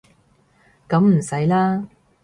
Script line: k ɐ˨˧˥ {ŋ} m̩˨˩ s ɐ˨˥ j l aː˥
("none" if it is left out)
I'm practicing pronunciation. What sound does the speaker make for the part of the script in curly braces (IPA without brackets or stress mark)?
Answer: m